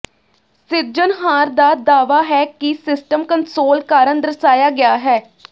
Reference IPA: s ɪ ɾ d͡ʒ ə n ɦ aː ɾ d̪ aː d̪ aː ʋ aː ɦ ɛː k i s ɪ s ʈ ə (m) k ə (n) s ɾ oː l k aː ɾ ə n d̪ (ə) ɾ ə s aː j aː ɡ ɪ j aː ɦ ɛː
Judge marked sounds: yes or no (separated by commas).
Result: yes, yes, yes